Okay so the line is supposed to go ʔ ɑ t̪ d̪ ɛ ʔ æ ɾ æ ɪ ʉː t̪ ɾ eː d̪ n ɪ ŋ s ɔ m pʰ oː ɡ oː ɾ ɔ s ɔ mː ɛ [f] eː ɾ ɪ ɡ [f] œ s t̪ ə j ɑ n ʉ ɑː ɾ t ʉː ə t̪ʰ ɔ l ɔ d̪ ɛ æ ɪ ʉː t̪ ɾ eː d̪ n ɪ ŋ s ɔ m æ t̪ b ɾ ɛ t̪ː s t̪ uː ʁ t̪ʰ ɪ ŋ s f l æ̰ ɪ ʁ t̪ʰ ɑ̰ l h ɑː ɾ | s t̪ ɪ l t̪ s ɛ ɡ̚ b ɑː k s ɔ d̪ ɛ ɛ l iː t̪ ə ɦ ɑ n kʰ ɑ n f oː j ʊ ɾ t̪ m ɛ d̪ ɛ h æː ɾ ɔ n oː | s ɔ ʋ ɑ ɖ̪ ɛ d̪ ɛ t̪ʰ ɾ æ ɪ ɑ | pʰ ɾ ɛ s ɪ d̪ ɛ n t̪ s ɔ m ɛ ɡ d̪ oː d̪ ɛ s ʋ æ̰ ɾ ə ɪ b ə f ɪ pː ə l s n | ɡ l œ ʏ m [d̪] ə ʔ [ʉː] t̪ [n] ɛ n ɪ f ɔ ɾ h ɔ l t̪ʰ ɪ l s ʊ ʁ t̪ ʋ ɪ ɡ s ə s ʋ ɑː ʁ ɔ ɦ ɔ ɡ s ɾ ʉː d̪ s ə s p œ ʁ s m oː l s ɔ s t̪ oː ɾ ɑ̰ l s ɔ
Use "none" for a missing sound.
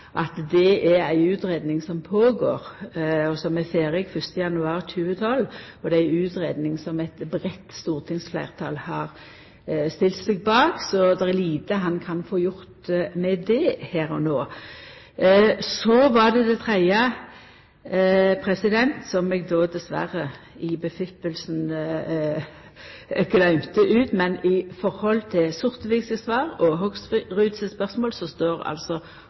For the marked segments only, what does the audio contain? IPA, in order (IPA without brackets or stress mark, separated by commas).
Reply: f, f, t̪, ʉː, m